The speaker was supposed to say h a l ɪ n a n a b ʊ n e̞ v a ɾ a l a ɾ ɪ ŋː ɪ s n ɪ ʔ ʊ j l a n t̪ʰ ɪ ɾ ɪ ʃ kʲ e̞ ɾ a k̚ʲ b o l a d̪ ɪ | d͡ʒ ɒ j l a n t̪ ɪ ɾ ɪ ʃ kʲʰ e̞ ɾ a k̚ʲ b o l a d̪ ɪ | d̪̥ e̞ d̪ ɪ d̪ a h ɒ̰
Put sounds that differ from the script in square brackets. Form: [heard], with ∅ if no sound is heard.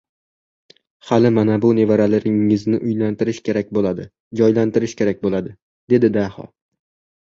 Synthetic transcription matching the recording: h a l ɪ [m] a n a b ʊ n e̞ v a ɾ a l a ɾ ɪ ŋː ɪ [z] n ɪ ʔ ʊ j l a n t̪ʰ ɪ ɾ ɪ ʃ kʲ e̞ ɾ a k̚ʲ b o l a d̪ ɪ | d͡ʒ ɒ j l a n t̪ ɪ ɾ ɪ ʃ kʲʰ e̞ ɾ a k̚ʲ b o l a d̪ ɪ | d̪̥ e̞ d̪ ɪ d̪ a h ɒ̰